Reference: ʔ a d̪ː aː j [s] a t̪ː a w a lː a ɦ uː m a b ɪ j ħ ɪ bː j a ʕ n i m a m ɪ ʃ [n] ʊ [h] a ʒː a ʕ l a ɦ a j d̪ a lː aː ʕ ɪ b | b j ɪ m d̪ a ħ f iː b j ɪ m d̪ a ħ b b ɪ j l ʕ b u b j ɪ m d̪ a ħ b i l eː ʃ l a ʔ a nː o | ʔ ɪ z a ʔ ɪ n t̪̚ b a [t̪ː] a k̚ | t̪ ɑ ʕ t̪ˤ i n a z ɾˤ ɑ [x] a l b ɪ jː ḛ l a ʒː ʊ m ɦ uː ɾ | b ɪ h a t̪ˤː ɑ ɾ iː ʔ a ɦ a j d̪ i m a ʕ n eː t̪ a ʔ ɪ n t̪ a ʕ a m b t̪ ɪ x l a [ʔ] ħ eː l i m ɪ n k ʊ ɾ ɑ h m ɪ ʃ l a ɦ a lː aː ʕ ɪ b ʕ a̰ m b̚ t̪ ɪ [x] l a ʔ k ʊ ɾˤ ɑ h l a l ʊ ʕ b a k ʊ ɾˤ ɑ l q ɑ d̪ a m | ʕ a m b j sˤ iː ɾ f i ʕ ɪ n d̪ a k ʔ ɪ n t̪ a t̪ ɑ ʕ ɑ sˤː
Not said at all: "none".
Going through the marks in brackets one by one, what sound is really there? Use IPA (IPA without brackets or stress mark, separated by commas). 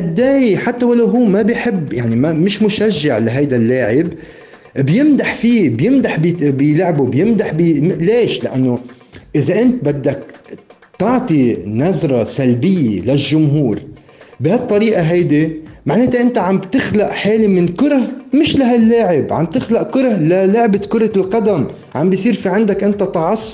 ħ, m, ʃ, d̪ː, s, ʔ, x